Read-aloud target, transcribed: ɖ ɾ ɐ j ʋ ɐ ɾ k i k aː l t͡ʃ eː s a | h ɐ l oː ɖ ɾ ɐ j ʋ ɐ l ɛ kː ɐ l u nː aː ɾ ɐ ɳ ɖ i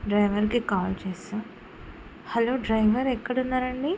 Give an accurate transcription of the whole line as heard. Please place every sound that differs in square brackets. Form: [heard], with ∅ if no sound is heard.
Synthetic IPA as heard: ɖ ɾ ɐ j ʋ ɐ ɾ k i k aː l t͡ʃ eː s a | h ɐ l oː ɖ ɾ ɐ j ʋ ɐ [ɾ] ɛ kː ɐ [ɽ] u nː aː ɾ ɐ ɳ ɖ i

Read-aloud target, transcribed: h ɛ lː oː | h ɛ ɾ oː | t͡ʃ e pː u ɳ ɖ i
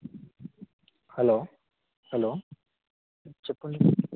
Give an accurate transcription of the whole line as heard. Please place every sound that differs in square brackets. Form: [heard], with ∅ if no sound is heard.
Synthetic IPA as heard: h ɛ [l] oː | h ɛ [l] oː | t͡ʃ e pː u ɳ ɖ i

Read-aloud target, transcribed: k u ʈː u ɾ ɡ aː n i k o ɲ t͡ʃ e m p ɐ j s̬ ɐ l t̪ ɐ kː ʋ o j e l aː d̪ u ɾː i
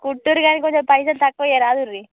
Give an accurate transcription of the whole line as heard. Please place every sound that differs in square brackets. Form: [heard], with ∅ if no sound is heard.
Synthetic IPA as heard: k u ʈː u ɾ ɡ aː n i k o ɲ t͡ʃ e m p ɐ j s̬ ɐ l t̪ ɐ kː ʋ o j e [ɾ] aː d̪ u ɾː i

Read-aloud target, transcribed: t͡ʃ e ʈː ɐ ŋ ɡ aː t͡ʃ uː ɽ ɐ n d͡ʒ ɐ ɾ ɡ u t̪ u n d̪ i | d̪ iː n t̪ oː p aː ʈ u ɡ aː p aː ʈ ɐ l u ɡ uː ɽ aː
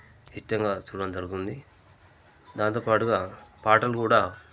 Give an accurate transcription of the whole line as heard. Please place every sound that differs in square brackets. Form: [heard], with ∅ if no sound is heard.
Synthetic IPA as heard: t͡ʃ [i] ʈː ɐ ŋ ɡ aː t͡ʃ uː ɽ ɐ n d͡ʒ ɐ ɾ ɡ u t̪ u n d̪ i | d̪ [aː] n t̪ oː p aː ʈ u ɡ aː p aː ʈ ɐ l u [k] uː ɽ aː

